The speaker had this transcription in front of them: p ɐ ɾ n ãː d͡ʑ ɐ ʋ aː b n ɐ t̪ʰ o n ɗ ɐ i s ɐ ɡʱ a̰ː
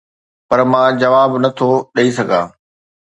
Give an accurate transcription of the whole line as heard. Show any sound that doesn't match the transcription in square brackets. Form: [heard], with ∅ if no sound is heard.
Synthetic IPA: p ɐ ɾ [m] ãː d͡ʑ ɐ ʋ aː b n ɐ t̪ʰ o [∅] ɗ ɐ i s ɐ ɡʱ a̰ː

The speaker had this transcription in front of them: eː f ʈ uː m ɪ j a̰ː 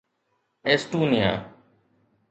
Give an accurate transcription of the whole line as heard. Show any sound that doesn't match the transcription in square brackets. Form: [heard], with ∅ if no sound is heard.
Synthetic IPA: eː [s] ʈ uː [n] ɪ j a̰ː

